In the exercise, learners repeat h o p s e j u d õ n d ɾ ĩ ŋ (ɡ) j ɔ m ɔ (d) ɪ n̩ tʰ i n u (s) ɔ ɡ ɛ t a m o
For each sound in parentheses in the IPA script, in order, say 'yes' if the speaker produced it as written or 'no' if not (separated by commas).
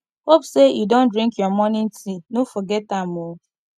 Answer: no, no, no